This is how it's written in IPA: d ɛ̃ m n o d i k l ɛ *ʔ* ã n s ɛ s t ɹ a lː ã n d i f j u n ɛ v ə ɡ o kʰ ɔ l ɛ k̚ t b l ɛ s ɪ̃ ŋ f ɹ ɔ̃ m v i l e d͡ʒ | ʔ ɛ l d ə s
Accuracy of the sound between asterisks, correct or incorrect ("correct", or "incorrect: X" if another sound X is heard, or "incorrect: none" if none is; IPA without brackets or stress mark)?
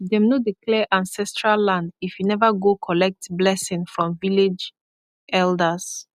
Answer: correct